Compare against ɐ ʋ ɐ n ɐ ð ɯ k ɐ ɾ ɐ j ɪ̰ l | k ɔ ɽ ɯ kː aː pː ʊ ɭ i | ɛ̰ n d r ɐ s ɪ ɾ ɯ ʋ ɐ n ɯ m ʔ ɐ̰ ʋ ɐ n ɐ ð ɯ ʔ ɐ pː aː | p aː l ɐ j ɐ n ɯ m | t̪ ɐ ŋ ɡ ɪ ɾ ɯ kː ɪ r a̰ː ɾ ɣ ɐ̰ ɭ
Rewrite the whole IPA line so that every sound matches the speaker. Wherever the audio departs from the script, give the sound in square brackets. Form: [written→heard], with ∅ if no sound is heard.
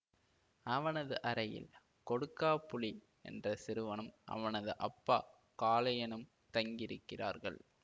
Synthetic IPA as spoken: ɐ ʋ ɐ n ɐ ð ɯ [k→ʔ] ɐ ɾ ɐ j ɪ̰ l | k ɔ ɽ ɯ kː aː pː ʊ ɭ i | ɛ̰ n d r ɐ s ɪ ɾ ɯ ʋ ɐ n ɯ m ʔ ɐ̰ ʋ ɐ n ɐ ð ɯ ʔ ɐ pː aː | [p→k] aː l ɐ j ɐ n ɯ m | t̪ ɐ ŋ ɡ ɪ ɾ ɯ kː ɪ r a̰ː ɾ ɣ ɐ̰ ɭ